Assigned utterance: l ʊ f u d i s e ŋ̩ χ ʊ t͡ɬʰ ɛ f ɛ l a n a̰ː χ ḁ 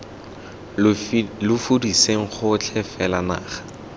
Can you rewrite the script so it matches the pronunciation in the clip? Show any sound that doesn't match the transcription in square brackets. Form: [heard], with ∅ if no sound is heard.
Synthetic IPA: l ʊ f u d i s e ŋ̩ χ ʊ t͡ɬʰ ɛ f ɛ l a n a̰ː χ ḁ